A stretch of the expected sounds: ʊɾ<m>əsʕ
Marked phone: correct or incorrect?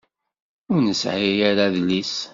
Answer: incorrect